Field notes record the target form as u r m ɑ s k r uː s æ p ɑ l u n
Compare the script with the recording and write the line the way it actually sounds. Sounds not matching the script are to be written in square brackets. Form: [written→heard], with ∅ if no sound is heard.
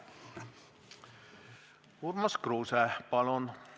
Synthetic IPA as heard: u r m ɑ s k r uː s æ p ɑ l [u→o] n